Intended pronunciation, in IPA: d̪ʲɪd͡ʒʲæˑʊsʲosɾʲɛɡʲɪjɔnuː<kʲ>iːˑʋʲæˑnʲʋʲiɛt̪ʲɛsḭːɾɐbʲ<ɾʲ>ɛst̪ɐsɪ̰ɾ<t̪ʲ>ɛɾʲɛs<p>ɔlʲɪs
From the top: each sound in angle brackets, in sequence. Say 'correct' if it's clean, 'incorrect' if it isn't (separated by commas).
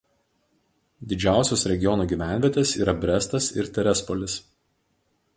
incorrect, correct, correct, correct